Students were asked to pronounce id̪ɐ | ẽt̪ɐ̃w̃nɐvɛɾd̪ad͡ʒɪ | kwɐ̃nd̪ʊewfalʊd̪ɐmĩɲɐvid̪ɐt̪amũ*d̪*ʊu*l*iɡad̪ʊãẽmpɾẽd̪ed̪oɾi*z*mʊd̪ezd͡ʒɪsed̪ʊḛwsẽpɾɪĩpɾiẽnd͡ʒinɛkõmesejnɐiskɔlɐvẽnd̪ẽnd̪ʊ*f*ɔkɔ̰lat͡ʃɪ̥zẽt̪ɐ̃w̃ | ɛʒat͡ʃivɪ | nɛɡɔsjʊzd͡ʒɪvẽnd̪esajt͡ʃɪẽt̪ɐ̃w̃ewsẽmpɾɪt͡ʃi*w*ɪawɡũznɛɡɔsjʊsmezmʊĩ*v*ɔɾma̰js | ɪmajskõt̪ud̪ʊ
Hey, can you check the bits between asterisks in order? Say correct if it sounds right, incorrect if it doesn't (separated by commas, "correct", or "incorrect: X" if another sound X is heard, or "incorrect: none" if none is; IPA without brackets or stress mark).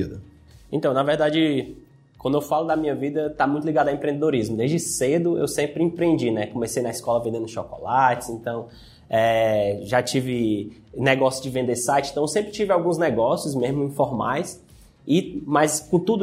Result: incorrect: t̪, correct, correct, incorrect: ʃ, incorrect: v, incorrect: f